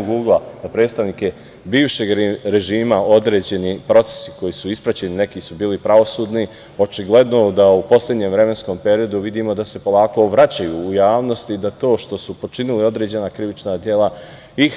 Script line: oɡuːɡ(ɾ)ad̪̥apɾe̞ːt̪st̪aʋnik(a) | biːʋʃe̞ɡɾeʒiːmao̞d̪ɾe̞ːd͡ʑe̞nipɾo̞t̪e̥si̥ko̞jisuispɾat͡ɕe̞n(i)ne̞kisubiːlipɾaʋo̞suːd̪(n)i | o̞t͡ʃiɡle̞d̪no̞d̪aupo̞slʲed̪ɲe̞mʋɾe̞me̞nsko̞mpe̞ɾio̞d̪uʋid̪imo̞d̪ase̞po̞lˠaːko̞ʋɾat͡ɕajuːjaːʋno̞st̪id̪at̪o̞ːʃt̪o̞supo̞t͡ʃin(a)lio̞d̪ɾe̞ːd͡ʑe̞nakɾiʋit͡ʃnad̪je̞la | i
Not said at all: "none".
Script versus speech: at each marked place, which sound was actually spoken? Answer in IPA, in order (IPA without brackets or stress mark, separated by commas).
l, e, i, n, i